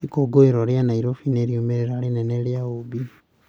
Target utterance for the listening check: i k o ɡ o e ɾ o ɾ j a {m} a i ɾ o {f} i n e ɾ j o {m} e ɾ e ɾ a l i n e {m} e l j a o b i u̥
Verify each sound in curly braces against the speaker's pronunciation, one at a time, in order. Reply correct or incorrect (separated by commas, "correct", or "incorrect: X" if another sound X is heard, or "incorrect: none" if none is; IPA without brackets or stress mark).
incorrect: n, correct, correct, incorrect: n